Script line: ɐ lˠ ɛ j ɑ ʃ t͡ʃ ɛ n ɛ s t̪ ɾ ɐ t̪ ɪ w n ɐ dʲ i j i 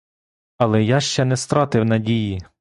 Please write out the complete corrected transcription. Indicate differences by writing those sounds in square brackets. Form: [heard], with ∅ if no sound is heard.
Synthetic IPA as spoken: ɐ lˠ ɛ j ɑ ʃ t͡ʃ ɛ n ɛ s t̪ ɾ [ɑ] t̪ ɪ w n ɐ dʲ i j i